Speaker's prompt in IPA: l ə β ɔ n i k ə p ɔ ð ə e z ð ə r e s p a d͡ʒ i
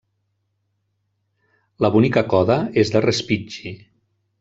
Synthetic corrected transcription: l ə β u n i k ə k ɔ ð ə e z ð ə r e s p i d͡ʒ i